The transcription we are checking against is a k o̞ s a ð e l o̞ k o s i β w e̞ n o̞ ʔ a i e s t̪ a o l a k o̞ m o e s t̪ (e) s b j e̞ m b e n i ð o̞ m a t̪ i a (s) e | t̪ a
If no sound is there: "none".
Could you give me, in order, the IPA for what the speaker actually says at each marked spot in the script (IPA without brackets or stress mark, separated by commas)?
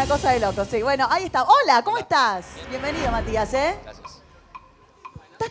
a, s